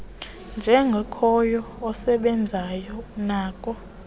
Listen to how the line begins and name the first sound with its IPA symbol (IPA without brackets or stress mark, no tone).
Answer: n